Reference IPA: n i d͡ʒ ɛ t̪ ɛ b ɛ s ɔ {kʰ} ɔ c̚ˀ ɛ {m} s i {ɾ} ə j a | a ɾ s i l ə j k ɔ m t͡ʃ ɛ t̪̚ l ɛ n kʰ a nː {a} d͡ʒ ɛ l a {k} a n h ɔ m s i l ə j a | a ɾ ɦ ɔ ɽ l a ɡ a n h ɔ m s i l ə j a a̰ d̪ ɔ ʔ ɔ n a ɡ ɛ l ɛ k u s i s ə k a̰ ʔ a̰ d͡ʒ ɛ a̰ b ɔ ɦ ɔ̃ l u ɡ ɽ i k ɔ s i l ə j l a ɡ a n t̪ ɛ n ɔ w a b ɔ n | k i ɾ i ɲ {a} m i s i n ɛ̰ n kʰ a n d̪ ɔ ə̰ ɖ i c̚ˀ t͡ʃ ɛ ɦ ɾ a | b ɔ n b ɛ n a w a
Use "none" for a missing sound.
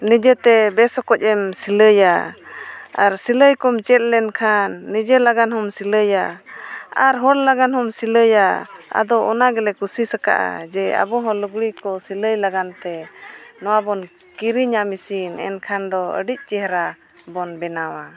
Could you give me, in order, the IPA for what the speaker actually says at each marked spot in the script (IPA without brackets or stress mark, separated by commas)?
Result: k, m, l, i, ɡ, a